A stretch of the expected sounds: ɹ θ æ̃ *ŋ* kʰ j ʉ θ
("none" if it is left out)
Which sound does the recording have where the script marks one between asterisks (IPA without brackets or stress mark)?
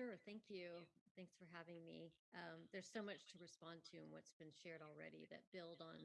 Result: ŋ